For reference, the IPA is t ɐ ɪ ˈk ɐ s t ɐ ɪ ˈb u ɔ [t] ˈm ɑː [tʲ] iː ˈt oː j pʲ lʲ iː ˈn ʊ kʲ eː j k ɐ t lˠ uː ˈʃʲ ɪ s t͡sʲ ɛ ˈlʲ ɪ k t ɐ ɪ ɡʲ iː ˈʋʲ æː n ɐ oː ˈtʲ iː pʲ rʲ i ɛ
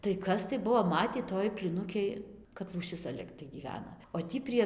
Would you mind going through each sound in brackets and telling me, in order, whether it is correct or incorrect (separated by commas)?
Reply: incorrect, correct